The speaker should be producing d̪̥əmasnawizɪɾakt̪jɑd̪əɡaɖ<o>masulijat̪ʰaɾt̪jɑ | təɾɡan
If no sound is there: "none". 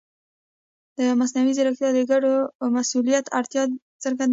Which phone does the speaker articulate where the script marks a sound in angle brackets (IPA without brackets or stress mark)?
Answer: o